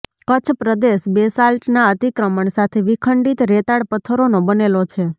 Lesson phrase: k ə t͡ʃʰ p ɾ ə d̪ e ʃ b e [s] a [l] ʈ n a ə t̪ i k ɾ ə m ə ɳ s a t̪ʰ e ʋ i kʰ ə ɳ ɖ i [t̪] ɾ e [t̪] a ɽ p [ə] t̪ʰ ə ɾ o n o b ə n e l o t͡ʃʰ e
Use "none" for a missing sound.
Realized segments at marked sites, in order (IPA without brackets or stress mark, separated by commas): s, l, t̪, t̪, ə